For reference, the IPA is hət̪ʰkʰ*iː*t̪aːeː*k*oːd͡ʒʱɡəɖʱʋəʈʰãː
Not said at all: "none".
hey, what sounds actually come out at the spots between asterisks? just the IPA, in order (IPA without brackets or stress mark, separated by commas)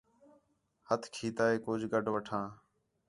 iː, k